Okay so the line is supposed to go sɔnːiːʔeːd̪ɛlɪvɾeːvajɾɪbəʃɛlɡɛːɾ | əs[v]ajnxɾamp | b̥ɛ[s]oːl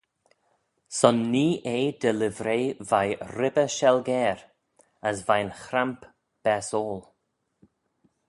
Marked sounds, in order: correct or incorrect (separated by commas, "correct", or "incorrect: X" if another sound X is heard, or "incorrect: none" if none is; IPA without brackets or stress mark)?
correct, correct